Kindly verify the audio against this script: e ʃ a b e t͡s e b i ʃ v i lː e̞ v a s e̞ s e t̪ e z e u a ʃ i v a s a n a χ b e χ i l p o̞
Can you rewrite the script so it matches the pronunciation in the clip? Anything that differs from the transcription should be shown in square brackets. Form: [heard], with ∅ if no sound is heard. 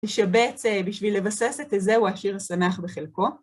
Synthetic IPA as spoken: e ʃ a b e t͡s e b i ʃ v i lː e̞ v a s e̞ s e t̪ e z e u a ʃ i [ʁ] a s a n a χ b e χ [e] l [k] o̞